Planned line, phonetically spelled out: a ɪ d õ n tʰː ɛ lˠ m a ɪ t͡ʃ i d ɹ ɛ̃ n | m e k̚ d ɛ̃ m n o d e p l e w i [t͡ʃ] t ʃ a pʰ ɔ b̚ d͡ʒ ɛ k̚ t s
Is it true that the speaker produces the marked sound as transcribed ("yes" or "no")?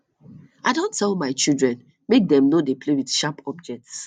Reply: no